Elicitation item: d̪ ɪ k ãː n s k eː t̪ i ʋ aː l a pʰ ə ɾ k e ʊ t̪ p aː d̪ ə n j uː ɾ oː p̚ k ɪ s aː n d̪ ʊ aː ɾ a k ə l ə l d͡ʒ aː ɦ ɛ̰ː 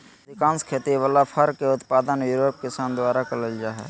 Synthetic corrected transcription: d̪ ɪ k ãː n s kʰ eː t̪ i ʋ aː l a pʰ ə ɾ k e ʊ t̪ p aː d̪ ə n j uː ɾ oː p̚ k ɪ s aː n d̪ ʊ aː ɾ a k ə l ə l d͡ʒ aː ɦ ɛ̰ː